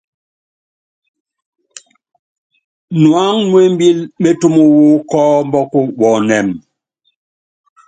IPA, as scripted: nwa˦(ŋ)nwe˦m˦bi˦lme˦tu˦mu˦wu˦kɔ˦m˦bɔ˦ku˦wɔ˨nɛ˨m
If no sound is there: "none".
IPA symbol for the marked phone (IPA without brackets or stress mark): ŋ